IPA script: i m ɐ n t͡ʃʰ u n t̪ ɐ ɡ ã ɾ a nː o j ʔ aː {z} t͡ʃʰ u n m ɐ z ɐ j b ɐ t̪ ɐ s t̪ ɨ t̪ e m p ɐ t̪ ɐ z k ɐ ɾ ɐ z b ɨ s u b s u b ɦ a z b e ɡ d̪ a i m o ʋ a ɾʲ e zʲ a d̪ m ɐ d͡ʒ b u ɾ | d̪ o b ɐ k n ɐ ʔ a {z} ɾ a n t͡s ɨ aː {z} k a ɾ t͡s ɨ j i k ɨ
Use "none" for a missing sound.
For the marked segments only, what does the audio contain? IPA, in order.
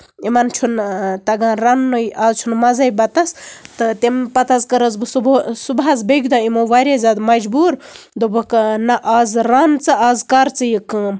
z, z, z

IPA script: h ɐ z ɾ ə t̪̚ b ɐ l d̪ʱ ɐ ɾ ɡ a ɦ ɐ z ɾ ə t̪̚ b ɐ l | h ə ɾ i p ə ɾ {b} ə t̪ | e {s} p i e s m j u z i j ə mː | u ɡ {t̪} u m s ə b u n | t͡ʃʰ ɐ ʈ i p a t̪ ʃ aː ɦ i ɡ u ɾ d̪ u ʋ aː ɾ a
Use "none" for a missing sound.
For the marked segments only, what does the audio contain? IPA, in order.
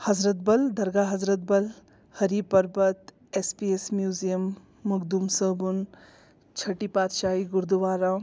b, s, d̪

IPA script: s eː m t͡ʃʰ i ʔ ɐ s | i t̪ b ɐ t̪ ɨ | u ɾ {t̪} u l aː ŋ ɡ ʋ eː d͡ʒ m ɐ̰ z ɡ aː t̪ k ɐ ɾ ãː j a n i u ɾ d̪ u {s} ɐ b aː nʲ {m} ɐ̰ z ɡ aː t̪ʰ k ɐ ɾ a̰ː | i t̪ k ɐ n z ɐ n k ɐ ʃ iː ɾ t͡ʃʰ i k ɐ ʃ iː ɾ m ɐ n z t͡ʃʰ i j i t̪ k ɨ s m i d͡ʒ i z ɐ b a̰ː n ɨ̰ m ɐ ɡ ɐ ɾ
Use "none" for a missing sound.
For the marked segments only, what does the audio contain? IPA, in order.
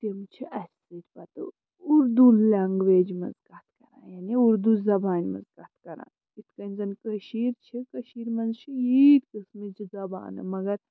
d̪, z, m

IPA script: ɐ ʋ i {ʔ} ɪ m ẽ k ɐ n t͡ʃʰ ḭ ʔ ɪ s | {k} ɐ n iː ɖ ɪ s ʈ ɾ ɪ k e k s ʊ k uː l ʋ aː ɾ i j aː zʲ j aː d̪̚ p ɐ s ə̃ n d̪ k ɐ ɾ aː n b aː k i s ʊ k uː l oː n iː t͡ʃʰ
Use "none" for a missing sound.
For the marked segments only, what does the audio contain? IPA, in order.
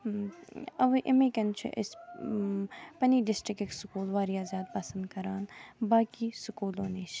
ʔ, p

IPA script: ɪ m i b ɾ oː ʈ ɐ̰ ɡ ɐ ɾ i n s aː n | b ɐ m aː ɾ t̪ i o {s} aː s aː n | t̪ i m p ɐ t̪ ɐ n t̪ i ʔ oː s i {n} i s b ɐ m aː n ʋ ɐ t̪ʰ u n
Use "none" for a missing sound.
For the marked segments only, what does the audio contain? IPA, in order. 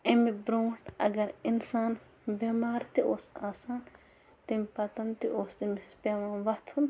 s, m

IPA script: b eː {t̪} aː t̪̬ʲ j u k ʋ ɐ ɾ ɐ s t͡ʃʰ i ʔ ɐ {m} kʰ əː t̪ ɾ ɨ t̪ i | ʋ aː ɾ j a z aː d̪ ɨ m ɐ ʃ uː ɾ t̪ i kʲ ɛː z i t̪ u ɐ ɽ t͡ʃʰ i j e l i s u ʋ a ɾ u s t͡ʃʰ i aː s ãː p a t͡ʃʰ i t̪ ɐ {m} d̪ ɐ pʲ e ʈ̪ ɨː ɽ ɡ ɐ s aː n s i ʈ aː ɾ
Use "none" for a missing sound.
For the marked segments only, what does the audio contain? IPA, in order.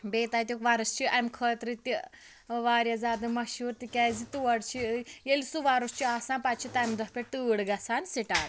t̪, m, m

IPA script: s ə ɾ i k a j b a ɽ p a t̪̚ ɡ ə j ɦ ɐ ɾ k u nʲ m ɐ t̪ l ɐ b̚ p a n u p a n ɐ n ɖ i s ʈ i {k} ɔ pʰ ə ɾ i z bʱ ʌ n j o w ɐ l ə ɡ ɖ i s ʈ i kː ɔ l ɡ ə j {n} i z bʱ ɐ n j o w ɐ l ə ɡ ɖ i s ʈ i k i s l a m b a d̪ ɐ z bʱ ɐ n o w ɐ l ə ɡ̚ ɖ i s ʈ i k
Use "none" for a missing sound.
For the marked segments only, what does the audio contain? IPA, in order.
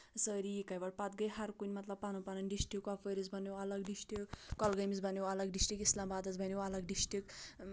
k, m

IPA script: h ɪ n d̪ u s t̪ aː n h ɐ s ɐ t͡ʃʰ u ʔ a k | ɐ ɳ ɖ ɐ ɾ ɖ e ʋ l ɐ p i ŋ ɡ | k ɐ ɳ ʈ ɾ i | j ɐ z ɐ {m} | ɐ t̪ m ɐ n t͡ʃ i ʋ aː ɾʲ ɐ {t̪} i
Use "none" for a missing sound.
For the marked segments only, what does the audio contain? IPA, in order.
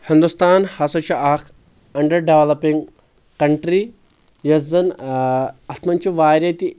n, t̪

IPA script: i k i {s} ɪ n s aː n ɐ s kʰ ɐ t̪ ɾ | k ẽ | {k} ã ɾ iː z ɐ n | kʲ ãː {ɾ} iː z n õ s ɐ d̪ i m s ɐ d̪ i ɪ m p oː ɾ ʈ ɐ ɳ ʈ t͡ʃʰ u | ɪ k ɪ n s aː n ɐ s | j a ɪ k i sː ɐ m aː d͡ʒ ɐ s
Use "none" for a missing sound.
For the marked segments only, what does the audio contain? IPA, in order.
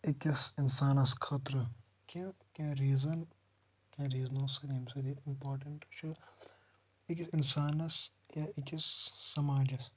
s, k, ɾ

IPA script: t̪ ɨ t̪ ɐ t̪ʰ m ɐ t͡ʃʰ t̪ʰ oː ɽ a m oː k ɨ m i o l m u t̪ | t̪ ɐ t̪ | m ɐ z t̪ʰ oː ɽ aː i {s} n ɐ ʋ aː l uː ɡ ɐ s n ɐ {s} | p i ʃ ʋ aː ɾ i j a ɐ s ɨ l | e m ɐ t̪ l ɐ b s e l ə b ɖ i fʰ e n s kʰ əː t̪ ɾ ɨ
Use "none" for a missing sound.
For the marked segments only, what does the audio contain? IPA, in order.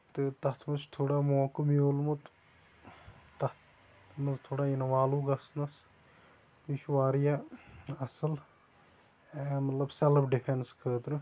none, s

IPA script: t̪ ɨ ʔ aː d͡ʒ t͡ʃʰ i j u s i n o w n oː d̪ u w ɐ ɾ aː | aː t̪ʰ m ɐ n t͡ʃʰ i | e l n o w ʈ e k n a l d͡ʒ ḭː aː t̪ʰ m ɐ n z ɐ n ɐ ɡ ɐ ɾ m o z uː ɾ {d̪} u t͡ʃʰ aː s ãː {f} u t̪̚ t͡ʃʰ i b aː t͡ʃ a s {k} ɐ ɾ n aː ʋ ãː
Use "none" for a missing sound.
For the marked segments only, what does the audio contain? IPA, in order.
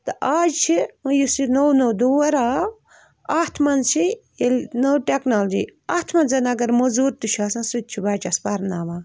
t̪, s, p

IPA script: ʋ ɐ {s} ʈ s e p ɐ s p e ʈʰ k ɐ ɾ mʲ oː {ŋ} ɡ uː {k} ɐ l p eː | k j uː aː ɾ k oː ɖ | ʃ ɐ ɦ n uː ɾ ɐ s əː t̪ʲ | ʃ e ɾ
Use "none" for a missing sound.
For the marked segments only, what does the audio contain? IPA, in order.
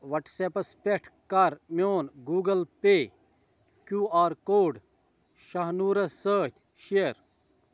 none, n, ɡ

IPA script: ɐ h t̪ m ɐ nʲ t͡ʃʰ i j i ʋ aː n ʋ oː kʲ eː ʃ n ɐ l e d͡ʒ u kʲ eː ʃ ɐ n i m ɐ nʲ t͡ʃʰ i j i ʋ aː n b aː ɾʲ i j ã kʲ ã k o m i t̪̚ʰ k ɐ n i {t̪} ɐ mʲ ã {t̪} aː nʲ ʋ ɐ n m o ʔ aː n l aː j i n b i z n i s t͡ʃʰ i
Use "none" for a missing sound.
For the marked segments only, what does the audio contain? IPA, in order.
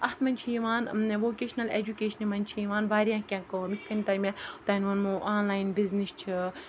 t̪, t̪

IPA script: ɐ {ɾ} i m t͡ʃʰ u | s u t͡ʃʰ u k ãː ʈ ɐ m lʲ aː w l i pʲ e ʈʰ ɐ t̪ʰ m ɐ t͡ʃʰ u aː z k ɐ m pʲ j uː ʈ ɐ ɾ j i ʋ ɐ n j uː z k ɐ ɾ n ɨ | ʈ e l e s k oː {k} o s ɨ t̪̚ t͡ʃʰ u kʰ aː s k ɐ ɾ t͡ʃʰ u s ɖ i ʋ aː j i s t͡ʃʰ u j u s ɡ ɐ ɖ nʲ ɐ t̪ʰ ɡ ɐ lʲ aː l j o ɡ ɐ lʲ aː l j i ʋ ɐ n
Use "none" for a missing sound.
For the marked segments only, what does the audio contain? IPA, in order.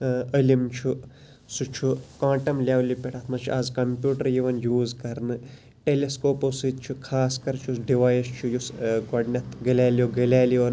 l, p

